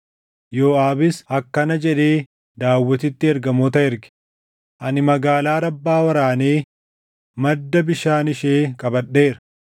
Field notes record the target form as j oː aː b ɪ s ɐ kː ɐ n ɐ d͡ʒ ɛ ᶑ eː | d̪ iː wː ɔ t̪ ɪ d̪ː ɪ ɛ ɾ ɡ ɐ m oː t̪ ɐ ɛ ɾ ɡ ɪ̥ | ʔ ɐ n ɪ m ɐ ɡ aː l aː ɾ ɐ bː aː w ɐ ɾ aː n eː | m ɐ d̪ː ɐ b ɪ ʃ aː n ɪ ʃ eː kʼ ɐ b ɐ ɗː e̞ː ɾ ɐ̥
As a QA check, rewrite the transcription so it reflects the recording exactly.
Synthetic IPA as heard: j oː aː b ɪ s ɐ kː ɐ n ɐ d͡ʒ ɛ ᶑ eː | d̪ aː wː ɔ t̪ ɪ t̪ː ɪ ɛ ɾ ɡ ɐ m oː t̪ ɐ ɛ ɾ ɡ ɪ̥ | ʔ ɐ n ɪ m ɐ ɡ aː l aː ɾ ɐ bː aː w ɐ ɾ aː n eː | m ɐ d̪ː ɐ b ɪ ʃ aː n ɪ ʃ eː kʼ ɐ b ɐ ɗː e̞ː ɾ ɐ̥